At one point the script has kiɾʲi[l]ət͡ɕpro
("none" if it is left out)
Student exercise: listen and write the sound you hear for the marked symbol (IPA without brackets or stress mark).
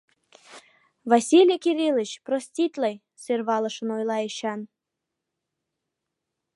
l